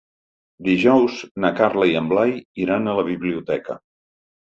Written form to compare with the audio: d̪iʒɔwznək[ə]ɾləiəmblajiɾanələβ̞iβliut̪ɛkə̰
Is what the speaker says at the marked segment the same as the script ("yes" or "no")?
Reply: no